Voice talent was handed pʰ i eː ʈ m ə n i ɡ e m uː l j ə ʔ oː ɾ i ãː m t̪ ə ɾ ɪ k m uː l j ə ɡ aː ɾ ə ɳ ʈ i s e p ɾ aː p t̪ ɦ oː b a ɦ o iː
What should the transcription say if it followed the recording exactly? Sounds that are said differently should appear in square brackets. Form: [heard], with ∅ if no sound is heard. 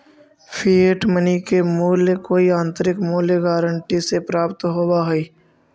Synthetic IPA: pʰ i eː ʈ m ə n i [k] e m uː l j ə [k] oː [∅] i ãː [n] t̪ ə ɾ ɪ k m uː l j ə ɡ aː ɾ ə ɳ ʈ i s e p ɾ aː p t̪ ɦ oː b a ɦ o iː

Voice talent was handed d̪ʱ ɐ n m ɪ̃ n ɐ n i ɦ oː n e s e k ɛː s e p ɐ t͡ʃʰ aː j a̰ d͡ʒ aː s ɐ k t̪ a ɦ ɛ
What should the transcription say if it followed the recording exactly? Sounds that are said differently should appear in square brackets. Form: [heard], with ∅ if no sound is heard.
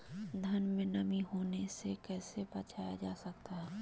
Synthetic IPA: d̪ʱ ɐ n m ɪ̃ n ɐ [m] i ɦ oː n e s e k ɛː s e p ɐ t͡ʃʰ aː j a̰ d͡ʒ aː s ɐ k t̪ a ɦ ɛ

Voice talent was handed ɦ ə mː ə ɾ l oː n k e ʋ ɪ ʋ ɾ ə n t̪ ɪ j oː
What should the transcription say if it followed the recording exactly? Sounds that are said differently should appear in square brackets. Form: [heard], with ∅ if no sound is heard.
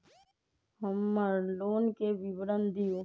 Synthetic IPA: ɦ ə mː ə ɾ l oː n k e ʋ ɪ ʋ ɾ ə n [d̪] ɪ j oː

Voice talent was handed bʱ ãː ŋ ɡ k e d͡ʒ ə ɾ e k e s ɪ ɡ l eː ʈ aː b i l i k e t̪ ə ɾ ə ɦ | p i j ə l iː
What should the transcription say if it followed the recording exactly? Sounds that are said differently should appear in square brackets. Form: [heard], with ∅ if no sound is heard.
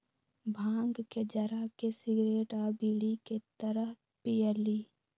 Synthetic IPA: bʱ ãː ŋ ɡ k e d͡ʒ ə ɾ [a] k e s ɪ ɡ [ɾ] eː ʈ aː b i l i k e t̪ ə ɾ ə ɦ | p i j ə l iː

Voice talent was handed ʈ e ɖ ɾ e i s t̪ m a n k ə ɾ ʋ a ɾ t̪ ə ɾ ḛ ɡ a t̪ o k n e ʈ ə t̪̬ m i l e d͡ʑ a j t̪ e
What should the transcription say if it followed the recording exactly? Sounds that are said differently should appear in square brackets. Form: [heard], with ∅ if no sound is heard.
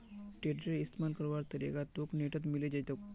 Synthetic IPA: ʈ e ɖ ɾ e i s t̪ m a n k ə ɾ ʋ a ɾ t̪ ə ɾ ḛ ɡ a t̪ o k n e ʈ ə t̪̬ m i l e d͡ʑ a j t̪ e

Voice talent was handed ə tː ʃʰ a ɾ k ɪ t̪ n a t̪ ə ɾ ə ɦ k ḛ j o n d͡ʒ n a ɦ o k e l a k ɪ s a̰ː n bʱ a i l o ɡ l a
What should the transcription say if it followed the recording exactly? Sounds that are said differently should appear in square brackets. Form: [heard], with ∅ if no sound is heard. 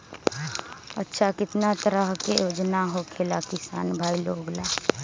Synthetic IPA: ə tː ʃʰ a [∅] k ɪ t̪ n a t̪ ə ɾ ə ɦ k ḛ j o [∅] d͡ʒ n a ɦ o [kʰ] e l a k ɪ s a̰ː n bʱ a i l o ɡ l a

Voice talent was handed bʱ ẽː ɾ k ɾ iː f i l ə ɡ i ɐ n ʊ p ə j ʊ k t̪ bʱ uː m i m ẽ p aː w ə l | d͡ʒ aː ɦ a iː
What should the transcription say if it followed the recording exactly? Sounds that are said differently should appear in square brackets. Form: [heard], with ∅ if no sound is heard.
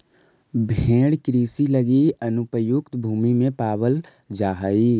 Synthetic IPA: bʱ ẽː [ɽ] k ɾ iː [s] i l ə ɡ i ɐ n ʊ p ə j ʊ k t̪ bʱ uː m i m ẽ p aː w ə l | d͡ʒ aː ɦ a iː

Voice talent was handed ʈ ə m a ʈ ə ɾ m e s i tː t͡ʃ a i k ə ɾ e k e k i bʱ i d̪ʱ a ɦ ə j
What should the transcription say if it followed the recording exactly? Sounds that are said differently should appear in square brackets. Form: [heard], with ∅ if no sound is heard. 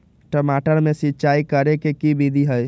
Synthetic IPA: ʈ ə m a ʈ ə ɾ m e s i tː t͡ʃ a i k ə ɾ e k e k i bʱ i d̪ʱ [i] ɦ ə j

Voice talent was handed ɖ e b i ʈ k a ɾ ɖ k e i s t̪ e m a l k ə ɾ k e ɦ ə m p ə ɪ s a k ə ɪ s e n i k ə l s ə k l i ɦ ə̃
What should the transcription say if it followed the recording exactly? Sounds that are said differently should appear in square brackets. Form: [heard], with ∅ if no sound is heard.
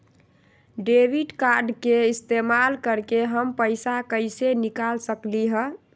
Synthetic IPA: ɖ e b i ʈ k a ɾ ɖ k e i s t̪ e m a l k ə ɾ k e ɦ ə m p ə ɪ s a k ə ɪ s e n i k [a] l s ə k l i ɦ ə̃

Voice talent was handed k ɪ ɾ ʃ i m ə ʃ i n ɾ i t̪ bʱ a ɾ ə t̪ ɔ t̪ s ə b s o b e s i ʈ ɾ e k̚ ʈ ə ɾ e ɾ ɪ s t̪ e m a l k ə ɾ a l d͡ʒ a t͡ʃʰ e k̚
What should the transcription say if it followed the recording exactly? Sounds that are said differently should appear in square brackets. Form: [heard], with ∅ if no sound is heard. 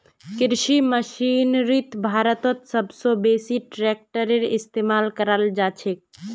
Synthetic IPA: k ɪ ɾ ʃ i m ə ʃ i n ɾ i t̪ bʱ a ɾ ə t̪ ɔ t̪ s ə b s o b e s i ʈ ɾ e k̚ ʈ ə ɾ e ɾ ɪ s t̪ e m a l k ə ɾ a l d͡ʒ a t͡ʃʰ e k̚

